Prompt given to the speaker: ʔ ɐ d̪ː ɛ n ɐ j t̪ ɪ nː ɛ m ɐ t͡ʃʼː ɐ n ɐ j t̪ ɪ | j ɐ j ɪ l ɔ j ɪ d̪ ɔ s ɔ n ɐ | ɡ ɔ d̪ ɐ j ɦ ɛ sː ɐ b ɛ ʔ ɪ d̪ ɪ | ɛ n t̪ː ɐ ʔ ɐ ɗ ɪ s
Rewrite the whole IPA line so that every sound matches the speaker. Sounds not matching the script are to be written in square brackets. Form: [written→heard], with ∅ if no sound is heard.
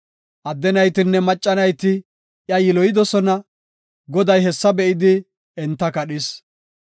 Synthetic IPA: ʔ ɐ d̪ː ɛ n ɐ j t̪ ɪ nː ɛ m ɐ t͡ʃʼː ɐ n ɐ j t̪ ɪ | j ɐ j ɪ l ɔ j ɪ d̪ ɔ s ɔ n ɐ | ɡ ɔ d̪ ɐ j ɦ ɛ sː ɐ b ɛ ʔ ɪ d̪ ɪ | ɛ n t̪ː ɐ [ʔ→k] ɐ ɗ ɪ s